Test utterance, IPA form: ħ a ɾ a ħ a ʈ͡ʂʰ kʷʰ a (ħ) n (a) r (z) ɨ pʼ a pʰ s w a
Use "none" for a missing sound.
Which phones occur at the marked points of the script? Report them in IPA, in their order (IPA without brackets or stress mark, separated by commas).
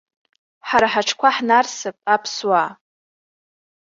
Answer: ħ, a, s